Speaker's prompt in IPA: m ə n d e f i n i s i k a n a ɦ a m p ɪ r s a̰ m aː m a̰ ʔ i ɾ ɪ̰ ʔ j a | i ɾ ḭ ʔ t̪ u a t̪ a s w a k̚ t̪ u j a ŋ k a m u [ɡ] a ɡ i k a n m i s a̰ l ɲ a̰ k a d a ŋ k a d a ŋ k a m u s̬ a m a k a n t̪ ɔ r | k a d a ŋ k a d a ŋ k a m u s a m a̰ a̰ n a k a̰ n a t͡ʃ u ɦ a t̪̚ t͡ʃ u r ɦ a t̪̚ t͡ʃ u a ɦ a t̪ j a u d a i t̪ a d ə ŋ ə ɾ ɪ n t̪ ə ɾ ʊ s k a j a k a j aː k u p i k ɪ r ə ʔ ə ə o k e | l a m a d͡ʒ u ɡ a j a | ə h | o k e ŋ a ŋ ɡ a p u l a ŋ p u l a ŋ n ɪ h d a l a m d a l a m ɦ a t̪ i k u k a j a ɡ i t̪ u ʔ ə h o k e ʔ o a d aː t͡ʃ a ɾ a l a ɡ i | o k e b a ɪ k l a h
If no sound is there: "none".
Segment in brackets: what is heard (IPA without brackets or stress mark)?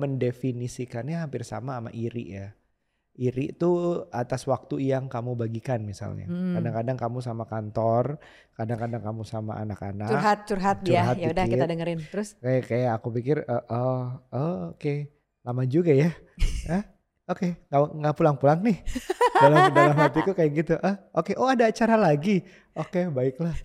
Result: b